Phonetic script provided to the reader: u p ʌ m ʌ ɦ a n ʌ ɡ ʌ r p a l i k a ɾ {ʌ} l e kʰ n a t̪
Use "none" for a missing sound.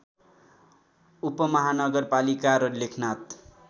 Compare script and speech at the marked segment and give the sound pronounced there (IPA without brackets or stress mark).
ʌ